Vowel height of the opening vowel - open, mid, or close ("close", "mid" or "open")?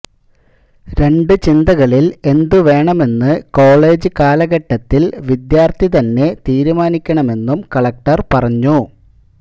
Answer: mid